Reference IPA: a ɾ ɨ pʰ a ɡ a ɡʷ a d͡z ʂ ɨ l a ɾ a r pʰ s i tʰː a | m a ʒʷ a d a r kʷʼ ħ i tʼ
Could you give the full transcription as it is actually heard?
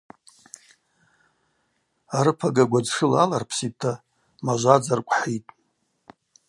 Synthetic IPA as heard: a ɾ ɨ pʰ a ɡ a ɡʷ a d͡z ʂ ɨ l a l a r pʰ s i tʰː a | m a ʒʷ a d͡z a r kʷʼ ħ i tʼ